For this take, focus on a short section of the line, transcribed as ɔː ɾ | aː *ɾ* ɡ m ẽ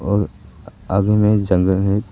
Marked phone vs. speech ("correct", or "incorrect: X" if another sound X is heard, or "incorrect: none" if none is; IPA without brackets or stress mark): incorrect: none